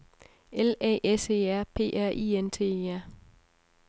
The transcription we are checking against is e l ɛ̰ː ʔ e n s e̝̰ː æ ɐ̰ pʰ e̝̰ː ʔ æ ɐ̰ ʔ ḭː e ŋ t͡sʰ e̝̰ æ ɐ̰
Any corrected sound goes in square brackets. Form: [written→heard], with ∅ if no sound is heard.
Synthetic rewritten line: e l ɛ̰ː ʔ e [n→∅] s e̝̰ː æ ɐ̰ pʰ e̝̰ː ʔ æ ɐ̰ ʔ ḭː e [ŋ→n] t͡sʰ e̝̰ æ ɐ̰